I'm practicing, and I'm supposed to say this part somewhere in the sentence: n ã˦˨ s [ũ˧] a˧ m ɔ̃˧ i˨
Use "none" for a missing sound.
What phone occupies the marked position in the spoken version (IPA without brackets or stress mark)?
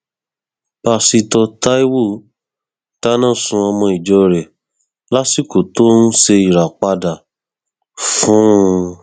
ũ˧